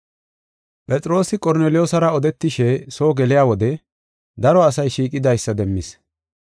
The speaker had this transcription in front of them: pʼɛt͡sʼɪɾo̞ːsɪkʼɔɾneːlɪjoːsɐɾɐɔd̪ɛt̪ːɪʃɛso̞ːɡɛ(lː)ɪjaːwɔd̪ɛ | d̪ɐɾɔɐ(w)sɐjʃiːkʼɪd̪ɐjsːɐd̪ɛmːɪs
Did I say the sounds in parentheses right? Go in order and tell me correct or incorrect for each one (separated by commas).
incorrect, incorrect